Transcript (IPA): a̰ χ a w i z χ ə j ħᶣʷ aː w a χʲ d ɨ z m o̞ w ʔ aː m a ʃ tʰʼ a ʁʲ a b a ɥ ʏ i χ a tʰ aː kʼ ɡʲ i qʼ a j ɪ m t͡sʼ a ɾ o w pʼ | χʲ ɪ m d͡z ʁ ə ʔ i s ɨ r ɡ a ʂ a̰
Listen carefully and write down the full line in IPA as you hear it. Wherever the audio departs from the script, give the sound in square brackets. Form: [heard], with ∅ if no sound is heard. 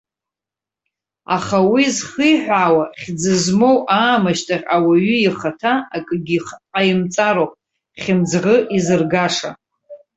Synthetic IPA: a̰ χ a w i z χ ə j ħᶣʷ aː w a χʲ [d͡z] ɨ z m o̞ w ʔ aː m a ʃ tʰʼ a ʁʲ a [w] a ɥ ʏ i χ a tʰ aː kʼ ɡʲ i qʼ a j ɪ m t͡sʼ a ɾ o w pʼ | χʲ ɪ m d͡z ʁ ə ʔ i [z] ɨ r ɡ a ʂ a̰